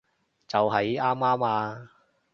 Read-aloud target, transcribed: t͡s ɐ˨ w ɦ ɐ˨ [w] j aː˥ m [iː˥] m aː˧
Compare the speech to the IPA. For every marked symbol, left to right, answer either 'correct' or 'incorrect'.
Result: incorrect: none, incorrect: aː˥

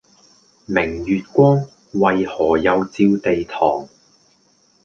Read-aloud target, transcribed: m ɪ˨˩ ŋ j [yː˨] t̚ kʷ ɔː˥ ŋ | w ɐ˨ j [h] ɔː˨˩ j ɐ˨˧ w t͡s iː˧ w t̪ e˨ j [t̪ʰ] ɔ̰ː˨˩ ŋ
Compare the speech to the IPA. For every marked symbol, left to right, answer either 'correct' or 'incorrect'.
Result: correct, correct, correct

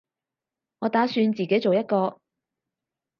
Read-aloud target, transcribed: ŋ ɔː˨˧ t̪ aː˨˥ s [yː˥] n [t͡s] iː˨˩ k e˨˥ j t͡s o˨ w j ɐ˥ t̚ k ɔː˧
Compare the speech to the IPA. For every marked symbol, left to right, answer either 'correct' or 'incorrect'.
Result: incorrect: yː˧, correct

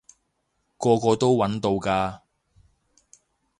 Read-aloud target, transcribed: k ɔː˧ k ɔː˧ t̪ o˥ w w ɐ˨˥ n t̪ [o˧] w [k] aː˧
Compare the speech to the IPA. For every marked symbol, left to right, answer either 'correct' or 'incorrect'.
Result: correct, correct

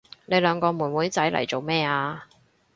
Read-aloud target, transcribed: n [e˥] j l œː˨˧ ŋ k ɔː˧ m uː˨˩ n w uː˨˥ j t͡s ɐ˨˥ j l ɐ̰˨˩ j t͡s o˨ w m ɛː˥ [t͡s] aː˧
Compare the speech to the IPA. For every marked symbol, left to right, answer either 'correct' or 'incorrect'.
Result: incorrect: e˨˧, incorrect: none

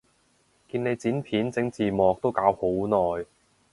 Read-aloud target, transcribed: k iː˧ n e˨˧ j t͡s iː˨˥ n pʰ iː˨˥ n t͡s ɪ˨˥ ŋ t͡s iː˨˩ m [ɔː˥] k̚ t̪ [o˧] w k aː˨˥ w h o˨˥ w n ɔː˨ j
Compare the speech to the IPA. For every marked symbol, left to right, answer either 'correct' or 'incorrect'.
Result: incorrect: ɔː˨, incorrect: o˥

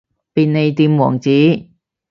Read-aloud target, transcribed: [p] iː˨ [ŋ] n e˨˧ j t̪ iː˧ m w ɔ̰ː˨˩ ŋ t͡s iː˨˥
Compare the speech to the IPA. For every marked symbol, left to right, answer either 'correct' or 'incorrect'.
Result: correct, incorrect: n

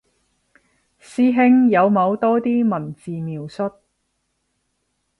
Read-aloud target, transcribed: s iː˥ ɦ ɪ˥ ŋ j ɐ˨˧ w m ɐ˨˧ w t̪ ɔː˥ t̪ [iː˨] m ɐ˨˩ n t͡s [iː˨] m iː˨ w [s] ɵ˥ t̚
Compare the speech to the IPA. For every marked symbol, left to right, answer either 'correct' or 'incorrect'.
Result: incorrect: iː˥, correct, correct

